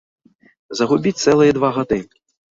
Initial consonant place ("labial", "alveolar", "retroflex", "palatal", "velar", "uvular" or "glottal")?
alveolar